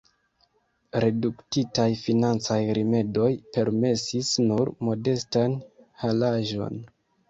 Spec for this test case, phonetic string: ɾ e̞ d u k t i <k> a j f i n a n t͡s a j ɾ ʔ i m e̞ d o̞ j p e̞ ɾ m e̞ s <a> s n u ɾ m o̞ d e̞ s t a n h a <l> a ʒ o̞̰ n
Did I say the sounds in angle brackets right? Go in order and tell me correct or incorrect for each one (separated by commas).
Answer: incorrect, incorrect, correct